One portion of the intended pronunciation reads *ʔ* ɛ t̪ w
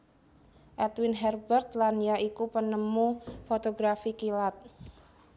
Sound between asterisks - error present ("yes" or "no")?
no